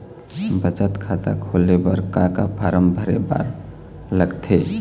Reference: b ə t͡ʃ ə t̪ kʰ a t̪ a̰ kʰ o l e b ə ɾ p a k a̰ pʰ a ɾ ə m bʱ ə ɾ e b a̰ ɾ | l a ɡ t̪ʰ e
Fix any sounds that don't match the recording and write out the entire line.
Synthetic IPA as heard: b ə t͡ʃ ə t̪ kʰ a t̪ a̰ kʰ o l e b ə ɾ k a k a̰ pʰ a ɾ ə m bʱ ə ɾ e b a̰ ɾ | l ə ɡ t̪ʰ e